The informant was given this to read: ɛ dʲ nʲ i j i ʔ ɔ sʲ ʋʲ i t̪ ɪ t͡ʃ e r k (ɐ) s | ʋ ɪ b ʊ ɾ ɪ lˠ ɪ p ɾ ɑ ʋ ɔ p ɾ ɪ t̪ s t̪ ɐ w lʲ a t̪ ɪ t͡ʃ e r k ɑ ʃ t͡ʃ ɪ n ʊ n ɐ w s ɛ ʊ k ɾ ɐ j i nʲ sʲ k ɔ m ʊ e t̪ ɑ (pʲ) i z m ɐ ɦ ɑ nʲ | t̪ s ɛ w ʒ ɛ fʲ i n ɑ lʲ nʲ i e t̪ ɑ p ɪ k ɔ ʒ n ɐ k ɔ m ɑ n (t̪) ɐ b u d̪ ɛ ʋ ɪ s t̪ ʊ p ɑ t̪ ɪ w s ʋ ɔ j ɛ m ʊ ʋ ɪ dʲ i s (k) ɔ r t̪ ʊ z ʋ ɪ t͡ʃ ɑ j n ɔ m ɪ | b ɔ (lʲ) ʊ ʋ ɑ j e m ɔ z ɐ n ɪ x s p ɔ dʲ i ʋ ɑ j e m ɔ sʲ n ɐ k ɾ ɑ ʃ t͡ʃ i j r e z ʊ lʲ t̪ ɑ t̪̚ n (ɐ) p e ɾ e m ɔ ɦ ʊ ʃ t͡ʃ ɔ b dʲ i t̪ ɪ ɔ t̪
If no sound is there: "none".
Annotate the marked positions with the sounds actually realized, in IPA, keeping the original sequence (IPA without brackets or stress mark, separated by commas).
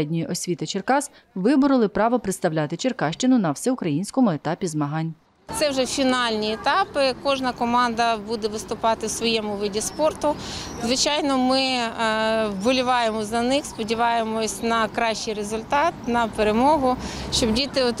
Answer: ɑ, pʲ, d̪, p, lʲ, ɐ